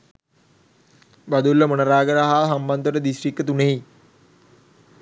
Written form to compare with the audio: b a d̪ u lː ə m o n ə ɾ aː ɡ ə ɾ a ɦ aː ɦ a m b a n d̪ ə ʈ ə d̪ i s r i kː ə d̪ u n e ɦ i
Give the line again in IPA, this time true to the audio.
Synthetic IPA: b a d̪ u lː ə m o n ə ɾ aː ɡ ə ɾ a ɦ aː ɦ a m b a n d̪ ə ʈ ə d̪ i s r i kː ə t̪ u n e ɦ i